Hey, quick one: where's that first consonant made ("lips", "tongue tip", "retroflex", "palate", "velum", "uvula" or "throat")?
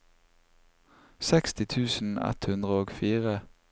tongue tip